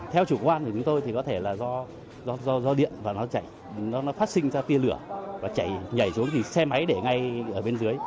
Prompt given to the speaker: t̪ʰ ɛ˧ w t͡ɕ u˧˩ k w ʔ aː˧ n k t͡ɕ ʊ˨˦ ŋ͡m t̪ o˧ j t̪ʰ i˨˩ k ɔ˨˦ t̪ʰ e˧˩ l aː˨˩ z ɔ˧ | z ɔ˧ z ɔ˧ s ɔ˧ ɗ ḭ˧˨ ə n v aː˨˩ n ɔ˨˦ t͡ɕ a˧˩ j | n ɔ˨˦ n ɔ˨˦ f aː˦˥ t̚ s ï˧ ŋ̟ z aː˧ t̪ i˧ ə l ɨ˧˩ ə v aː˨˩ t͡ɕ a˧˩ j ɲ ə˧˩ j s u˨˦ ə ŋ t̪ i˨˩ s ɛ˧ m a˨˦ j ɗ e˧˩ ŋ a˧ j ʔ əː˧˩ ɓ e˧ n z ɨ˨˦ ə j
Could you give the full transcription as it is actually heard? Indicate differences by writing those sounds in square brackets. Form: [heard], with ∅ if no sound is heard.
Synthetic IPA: t̪ʰ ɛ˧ w t͡ɕ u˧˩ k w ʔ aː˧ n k t͡ɕ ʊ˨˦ ŋ͡m t̪ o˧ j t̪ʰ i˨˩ k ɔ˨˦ t̪ʰ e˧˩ l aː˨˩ z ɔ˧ | z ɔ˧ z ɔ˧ [z] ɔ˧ ɗ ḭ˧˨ ə n v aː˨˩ n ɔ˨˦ t͡ɕ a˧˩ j | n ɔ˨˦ n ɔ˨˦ f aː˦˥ t̚ s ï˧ ŋ̟ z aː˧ t̪ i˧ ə l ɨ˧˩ ə v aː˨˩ t͡ɕ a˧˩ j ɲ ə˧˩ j s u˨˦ ə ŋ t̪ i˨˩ s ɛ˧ m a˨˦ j ɗ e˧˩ ŋ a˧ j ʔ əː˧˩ ɓ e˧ n z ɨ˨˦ ə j